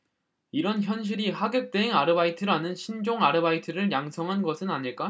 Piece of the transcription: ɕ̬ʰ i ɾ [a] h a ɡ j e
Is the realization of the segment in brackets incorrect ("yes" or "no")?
yes